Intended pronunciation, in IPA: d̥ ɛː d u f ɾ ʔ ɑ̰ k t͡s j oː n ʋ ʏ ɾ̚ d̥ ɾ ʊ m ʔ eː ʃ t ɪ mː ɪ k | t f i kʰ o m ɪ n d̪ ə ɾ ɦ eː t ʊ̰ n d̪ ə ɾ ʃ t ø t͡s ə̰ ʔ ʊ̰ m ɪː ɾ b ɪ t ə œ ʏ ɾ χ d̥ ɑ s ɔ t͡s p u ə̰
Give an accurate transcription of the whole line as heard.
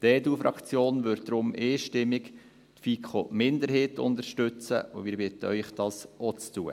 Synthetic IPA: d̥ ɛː d u f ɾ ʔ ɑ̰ k t͡s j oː n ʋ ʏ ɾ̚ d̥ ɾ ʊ m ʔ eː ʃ t ɪ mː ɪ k | t f i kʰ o m ɪ n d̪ ə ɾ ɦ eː t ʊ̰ n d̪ ə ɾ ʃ t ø t͡s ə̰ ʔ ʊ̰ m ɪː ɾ b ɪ t ə œ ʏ χ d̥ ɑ s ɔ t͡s t u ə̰